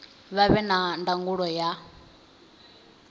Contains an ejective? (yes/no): no